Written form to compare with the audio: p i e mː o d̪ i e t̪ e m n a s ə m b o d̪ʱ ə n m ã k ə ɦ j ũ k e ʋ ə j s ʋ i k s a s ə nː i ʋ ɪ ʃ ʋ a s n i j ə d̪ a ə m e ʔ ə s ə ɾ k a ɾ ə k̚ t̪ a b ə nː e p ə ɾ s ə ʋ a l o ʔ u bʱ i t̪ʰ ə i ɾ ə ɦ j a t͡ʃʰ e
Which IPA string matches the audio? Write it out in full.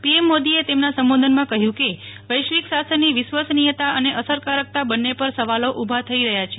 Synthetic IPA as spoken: p i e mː o d̪ i e t̪ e m n a s ə m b o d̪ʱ ə n m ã k ə ɦ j ũ k e ʋ ə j ʃ ʋ i k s a s ə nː i ʋ ɪ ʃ ʋ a s n i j ə t̪ a ə n e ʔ ə s ə ɾ k a ɾ ə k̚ t̪ a b ə nː e p ə ɾ s ə ʋ a l o ʔ u bʱ a t̪ʰ ə i ɾ ə ɦ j a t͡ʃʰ e